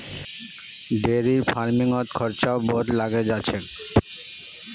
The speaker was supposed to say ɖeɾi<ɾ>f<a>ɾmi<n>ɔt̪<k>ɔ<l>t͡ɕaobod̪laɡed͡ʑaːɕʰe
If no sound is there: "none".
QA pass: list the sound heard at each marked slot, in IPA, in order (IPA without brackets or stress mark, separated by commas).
ɾ, a, ŋ, kʰ, ɾ